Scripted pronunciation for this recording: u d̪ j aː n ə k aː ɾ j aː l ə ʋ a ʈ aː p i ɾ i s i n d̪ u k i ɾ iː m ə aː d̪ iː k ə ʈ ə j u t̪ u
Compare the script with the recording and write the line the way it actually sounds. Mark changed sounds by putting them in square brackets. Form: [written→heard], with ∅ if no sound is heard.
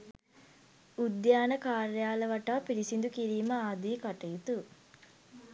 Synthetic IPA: u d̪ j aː n ə k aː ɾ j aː l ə ʋ a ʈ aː p i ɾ i s i n d̪ u k i ɾ iː m ə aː d̪ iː k [ə→a] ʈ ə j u t̪ u